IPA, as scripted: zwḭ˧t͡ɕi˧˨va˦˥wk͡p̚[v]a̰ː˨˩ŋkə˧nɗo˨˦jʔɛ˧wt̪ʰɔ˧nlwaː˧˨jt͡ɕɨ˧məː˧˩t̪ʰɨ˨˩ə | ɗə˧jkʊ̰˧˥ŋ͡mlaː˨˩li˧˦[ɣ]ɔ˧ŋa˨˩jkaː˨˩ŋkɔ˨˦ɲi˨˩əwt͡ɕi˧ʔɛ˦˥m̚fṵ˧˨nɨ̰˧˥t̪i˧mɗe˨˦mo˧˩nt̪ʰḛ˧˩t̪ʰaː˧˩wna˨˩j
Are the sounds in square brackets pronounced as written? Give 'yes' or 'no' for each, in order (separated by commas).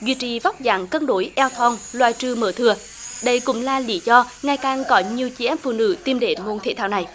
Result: no, no